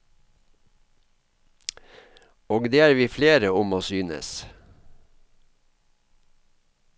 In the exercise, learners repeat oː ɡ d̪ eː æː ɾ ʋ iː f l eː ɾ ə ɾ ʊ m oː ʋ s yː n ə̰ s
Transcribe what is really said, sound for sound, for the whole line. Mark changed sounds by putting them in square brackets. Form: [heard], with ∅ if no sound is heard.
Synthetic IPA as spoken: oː ɡ d̪ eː æː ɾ ʋ iː f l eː ɾ ə [∅] ʊ m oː [∅] s yː n ə̰ s